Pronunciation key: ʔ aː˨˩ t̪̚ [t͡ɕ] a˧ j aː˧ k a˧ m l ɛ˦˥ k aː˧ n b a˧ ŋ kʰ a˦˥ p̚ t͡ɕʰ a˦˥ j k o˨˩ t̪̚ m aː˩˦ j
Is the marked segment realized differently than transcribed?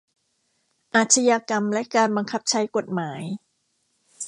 yes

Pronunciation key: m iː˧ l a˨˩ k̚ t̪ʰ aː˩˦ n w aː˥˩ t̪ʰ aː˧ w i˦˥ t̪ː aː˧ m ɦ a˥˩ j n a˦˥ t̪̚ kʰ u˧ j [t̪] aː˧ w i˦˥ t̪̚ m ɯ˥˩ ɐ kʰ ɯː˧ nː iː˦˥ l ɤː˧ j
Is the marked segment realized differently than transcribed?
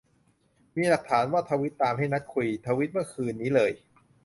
yes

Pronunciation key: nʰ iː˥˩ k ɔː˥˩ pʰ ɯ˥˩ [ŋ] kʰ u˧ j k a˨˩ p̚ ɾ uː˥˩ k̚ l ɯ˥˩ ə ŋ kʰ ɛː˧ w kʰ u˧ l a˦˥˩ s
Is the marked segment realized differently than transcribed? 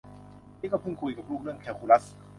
no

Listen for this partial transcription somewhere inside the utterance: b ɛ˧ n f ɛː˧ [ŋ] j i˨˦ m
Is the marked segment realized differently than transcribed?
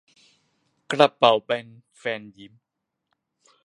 yes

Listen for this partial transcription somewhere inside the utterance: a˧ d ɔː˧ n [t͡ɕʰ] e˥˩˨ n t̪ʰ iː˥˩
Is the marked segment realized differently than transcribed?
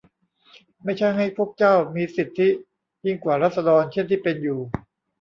no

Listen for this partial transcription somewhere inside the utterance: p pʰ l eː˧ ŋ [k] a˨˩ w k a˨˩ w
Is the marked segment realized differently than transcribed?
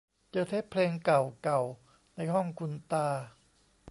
no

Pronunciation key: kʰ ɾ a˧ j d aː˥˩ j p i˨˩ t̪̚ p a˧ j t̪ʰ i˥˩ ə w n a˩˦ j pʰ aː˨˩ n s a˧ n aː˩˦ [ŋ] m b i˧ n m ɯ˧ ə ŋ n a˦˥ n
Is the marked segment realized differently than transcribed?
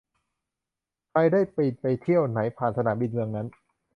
yes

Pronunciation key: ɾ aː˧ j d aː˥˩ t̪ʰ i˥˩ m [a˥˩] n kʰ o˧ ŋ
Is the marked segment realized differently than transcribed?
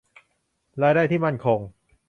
no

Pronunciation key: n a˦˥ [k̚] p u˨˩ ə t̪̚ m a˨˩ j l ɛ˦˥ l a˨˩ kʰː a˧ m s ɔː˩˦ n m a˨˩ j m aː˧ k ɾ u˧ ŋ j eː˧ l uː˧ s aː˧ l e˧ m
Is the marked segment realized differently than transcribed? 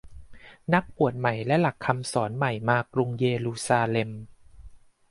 no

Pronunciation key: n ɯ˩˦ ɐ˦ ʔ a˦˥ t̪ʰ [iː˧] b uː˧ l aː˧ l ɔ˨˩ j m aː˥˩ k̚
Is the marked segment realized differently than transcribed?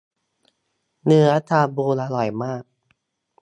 yes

